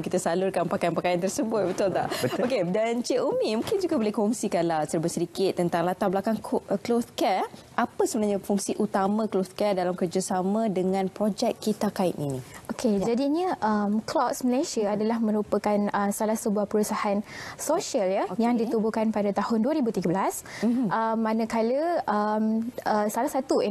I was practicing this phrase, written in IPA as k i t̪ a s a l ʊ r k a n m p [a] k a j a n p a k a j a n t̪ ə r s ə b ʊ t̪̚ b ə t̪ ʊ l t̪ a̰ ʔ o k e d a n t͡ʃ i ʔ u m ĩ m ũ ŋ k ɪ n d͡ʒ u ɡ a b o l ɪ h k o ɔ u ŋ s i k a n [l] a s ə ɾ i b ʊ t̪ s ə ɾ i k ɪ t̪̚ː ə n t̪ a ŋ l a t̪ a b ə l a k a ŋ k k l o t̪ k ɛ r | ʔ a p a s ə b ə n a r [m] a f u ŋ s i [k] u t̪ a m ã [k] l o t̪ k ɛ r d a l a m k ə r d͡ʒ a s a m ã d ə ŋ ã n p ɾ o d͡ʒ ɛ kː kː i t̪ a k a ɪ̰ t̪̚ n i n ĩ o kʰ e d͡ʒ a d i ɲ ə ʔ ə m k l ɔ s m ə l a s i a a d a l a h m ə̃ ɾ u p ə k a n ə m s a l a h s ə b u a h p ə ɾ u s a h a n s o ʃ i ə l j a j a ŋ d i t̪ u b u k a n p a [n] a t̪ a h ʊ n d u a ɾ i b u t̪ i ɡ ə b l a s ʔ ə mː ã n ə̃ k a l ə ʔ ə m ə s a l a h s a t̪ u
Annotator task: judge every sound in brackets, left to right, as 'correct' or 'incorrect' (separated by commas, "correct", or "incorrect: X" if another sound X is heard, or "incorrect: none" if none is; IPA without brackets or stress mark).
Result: correct, correct, incorrect: ɲ, incorrect: ʔ, correct, incorrect: d